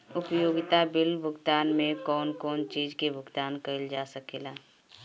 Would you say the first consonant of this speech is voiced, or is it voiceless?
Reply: voiceless